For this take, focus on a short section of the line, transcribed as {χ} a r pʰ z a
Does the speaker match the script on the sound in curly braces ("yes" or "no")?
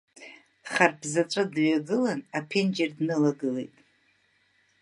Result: yes